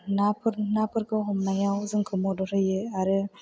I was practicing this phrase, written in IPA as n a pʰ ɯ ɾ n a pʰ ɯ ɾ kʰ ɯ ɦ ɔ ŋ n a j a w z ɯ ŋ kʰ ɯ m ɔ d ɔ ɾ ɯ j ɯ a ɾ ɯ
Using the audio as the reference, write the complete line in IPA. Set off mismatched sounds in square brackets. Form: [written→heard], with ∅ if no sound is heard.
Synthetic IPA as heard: n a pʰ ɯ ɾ n a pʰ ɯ ɾ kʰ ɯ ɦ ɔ [ŋ→m] n a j a w z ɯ ŋ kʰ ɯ m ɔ d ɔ ɾ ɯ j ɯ a ɾ ɯ